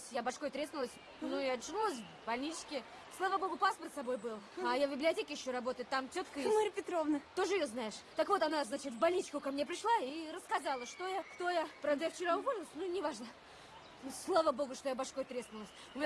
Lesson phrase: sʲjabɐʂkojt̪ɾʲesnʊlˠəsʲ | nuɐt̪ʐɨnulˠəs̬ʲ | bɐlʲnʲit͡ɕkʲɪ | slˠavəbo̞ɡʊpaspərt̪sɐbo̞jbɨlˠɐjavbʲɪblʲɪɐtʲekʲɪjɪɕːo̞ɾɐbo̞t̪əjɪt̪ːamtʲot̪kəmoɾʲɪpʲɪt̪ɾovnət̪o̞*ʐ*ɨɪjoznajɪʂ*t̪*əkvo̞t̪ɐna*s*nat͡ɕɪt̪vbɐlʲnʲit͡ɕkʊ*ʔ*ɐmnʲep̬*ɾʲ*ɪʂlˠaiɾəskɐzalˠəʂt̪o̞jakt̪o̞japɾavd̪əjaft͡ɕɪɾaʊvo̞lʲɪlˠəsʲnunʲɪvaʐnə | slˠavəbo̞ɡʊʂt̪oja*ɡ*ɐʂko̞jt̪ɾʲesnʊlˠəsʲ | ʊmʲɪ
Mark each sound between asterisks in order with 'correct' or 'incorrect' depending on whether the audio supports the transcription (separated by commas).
correct, correct, incorrect, incorrect, correct, incorrect